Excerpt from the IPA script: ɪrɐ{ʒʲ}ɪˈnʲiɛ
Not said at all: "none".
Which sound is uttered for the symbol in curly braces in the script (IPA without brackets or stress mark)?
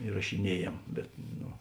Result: ʃʲ